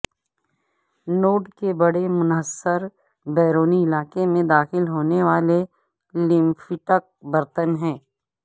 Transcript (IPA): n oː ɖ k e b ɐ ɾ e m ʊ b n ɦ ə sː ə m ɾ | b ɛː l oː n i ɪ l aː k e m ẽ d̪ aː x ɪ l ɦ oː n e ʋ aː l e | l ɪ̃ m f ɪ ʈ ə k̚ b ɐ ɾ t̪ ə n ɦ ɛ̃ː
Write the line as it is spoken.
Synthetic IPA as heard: n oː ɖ k e b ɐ ɽ e m ʊ n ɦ ə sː ə ɾ | b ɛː ɾ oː n i ɪ l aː k e m ẽ d̪ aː x ɪ l ɦ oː n e ʋ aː l e | l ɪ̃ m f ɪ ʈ ə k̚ b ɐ ɾ t̪ ə n ɦ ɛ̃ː